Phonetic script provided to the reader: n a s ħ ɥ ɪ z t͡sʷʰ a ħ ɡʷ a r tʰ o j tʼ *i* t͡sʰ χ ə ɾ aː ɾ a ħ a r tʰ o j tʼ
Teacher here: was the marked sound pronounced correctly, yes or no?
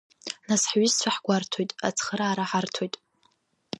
no